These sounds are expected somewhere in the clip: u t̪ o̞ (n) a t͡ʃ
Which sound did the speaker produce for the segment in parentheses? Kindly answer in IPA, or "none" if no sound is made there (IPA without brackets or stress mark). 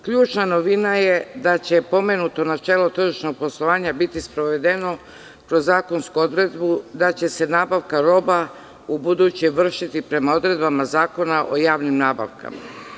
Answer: n